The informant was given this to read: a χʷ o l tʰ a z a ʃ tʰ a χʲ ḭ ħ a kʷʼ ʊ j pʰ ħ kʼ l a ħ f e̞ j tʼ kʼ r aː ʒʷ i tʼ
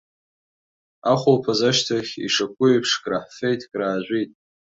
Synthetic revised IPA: a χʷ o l pʰ a z a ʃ tʰ a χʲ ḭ ʂ a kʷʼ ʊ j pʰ ʂ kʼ r a ħ f e̞ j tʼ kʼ r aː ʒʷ i tʼ